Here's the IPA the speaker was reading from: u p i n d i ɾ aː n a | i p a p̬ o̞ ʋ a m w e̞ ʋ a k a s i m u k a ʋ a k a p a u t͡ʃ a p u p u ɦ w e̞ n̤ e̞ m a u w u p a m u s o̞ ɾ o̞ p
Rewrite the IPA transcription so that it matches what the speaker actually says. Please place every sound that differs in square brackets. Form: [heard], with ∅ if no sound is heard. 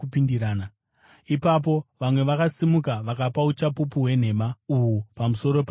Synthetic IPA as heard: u p i n d i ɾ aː n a | i p a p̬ o̞ ʋ a m w e̞ ʋ a k a s i m u k a ʋ a k a p a u t͡ʃ a p u p u ɦ w e̞ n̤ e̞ m a u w u p a m u s o̞ ɾ o̞ p